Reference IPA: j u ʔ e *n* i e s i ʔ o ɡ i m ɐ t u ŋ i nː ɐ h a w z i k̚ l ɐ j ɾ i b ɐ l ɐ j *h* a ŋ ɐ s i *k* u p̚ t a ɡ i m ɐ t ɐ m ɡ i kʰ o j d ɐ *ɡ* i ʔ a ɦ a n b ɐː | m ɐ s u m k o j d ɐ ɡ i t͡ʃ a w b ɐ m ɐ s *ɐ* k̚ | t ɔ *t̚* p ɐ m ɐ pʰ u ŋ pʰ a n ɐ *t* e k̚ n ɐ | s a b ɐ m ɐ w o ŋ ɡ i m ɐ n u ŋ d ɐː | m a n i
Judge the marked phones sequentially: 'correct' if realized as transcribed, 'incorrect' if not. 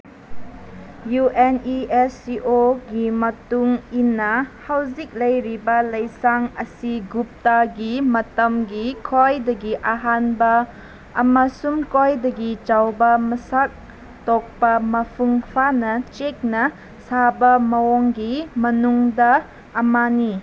correct, incorrect: s, incorrect: ɡ, correct, incorrect: a, incorrect: k̚, incorrect: t͡ʃ

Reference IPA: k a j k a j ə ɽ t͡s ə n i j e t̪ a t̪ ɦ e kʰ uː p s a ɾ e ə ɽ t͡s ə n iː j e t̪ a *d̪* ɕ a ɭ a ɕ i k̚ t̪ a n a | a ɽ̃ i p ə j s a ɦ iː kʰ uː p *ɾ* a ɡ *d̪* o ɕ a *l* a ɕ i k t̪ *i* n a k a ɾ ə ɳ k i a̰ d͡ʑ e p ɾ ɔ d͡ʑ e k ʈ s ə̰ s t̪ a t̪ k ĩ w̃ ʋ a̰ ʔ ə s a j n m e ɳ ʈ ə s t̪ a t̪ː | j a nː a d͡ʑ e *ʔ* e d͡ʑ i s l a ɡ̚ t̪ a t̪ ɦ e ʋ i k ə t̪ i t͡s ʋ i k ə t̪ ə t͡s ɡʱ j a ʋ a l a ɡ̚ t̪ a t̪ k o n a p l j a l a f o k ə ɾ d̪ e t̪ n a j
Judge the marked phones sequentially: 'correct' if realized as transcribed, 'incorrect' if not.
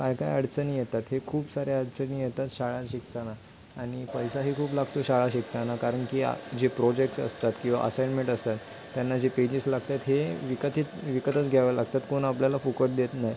incorrect: t̪, incorrect: l, incorrect: t̪, incorrect: ɭ, incorrect: a, incorrect: p

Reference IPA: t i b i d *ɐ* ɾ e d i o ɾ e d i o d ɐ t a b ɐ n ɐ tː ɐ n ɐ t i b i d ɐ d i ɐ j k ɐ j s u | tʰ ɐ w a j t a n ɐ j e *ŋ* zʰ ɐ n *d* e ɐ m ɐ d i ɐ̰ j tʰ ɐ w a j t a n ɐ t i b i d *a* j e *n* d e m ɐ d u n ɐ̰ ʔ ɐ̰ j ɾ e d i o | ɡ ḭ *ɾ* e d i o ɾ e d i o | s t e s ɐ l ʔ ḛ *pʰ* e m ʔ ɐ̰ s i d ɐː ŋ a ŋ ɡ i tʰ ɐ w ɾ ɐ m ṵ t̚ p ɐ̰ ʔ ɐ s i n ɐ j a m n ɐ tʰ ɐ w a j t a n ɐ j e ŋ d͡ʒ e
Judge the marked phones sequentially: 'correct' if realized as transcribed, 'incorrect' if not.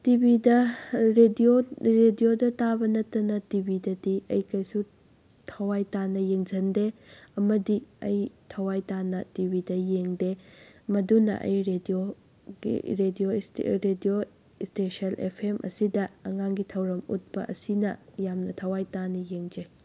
correct, correct, correct, incorrect: ɐ, incorrect: ŋ, correct, correct

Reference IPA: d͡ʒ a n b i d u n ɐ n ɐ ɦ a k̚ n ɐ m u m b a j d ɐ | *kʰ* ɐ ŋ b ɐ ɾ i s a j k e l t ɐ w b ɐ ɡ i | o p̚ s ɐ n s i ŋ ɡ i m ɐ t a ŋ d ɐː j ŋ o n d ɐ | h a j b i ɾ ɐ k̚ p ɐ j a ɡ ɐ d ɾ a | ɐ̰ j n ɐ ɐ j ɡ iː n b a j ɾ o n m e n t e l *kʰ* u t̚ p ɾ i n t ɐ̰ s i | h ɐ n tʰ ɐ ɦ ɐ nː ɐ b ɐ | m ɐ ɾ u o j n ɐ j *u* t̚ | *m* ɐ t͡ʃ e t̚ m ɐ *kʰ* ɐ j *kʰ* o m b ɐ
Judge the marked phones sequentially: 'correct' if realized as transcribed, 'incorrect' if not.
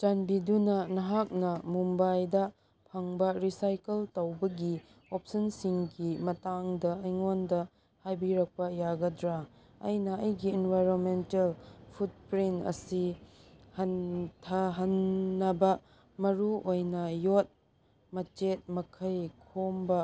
incorrect: pʰ, incorrect: pʰ, incorrect: o, correct, correct, correct

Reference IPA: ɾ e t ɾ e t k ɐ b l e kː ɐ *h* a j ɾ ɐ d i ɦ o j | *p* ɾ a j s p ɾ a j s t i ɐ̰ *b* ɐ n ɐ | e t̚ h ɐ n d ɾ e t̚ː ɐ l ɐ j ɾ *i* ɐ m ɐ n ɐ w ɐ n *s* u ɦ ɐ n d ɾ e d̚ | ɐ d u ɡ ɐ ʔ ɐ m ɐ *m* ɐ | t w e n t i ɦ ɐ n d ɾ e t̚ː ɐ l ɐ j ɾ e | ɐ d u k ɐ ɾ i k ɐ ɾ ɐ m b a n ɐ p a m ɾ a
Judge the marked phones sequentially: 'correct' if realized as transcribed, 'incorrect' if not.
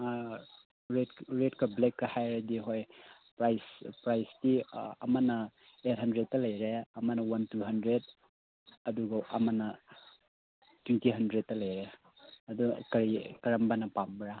correct, correct, incorrect: m, incorrect: e, incorrect: t, incorrect: n

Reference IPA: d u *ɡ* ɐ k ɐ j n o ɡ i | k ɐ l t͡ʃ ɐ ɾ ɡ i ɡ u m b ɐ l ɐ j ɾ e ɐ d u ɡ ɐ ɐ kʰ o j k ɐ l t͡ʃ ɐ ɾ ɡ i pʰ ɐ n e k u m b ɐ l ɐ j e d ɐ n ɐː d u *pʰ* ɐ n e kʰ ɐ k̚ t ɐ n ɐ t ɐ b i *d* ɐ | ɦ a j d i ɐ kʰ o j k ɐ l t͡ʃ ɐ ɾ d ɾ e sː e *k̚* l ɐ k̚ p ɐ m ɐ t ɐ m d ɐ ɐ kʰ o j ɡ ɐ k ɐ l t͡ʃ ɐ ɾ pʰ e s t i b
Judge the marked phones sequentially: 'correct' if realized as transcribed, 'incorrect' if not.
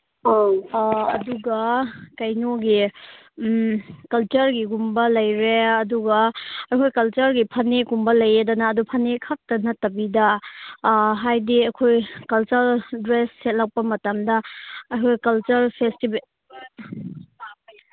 correct, correct, correct, incorrect: t̚

